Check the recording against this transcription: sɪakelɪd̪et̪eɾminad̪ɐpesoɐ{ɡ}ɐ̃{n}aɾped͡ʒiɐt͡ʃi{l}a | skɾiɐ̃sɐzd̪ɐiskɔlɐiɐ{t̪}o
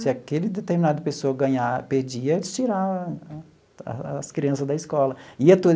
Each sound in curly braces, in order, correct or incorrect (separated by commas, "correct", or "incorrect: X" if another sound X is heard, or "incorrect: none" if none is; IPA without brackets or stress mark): correct, incorrect: ɲ, incorrect: ɾ, correct